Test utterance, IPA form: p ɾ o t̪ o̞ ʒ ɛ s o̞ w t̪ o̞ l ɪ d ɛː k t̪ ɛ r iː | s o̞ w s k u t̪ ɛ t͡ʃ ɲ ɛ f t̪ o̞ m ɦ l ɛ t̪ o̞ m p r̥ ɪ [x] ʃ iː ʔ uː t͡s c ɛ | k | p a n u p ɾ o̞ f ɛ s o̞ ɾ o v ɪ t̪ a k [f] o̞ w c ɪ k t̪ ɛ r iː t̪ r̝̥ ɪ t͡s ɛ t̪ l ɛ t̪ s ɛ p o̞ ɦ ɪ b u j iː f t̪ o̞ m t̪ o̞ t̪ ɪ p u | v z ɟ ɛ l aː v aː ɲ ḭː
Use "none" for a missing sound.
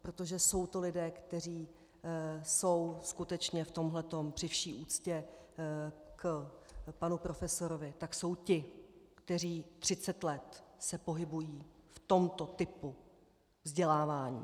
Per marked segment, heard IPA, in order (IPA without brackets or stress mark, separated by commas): f, s